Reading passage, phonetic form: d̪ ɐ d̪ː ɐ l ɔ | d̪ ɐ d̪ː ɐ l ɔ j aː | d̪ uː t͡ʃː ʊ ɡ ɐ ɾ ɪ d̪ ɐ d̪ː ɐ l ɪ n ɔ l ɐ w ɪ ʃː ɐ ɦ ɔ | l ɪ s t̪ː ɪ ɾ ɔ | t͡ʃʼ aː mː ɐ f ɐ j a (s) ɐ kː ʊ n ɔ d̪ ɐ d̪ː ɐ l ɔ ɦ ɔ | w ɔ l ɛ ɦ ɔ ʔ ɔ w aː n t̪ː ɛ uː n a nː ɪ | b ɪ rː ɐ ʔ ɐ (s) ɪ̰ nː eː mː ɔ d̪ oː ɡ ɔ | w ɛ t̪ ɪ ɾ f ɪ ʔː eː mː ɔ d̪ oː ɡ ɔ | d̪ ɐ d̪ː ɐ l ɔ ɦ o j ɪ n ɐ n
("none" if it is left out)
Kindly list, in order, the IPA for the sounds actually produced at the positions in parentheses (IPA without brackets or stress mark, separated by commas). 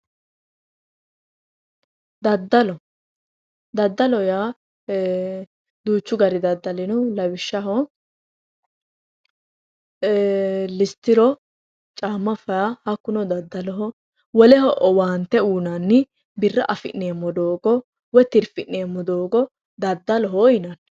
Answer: h, f